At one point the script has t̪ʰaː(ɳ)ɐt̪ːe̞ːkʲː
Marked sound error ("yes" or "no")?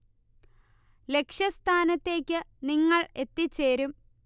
yes